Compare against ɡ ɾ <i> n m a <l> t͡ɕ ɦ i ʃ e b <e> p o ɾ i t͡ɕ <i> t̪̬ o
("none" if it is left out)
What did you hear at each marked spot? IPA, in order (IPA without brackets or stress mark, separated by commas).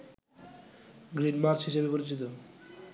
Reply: i, ɾ, e, i